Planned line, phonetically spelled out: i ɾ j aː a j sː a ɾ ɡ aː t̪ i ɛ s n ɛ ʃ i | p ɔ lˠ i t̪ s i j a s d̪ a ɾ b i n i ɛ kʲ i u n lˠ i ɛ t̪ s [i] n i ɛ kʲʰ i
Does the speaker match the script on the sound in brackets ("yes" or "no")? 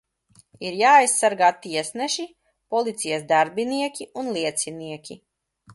yes